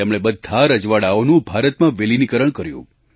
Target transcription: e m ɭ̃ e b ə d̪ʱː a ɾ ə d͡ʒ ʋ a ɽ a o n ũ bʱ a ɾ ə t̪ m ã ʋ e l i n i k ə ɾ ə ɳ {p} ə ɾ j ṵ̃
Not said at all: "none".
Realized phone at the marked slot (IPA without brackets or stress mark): k